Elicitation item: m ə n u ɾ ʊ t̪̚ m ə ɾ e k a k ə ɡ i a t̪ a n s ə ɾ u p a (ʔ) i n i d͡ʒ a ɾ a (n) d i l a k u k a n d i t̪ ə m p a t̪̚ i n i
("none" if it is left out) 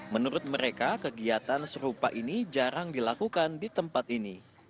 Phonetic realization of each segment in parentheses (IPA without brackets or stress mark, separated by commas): ʔ, ŋ